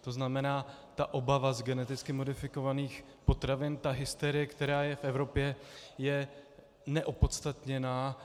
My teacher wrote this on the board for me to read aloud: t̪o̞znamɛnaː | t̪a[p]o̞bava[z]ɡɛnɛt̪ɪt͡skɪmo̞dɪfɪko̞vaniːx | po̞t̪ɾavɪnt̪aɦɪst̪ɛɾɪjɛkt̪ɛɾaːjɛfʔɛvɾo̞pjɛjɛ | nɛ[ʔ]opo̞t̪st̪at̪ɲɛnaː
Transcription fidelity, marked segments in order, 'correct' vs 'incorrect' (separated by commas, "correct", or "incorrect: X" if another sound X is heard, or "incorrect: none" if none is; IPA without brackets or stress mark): incorrect: ʔ, correct, correct